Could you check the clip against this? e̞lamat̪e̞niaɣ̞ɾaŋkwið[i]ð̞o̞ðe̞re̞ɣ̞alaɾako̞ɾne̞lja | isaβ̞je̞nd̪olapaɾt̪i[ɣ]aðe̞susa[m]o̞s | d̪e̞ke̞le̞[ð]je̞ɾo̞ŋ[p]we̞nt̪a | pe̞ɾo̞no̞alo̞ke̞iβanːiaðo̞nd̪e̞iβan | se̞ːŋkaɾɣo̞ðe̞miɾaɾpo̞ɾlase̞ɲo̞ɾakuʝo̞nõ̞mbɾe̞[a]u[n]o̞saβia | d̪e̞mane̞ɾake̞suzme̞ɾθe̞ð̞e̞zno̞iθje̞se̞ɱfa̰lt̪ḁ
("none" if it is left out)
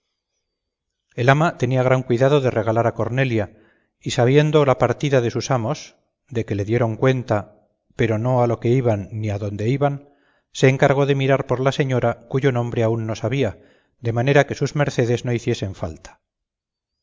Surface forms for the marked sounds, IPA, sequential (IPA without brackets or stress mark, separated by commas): a, ð, m, ð, k, a, nː